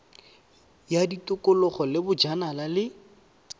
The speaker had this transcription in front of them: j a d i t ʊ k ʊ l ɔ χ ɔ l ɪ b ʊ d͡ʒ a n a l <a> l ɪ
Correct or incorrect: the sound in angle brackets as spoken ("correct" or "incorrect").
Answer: correct